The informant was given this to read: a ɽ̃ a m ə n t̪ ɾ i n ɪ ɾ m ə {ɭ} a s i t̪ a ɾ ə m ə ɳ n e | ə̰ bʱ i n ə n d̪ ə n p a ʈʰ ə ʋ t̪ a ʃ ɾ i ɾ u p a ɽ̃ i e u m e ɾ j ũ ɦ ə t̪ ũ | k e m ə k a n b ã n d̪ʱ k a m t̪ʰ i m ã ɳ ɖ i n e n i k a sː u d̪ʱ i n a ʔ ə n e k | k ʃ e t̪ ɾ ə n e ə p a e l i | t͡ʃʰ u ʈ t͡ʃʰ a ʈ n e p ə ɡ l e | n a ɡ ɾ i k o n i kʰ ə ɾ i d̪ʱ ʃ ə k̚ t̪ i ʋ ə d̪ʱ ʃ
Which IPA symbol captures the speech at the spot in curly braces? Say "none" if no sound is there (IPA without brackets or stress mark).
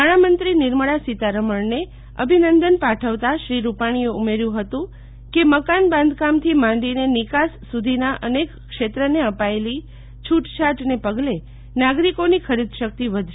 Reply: ɭ